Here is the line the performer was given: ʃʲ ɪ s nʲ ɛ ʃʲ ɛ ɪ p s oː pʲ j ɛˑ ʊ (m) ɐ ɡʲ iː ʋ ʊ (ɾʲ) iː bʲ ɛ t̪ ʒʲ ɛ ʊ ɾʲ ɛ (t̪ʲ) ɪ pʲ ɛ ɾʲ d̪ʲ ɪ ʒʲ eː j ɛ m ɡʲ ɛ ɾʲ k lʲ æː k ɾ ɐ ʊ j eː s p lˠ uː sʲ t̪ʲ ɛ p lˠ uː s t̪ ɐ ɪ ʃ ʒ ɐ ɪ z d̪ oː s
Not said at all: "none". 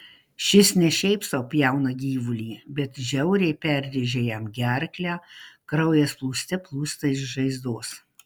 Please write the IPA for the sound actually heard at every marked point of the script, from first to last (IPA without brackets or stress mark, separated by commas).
n, lʲ, none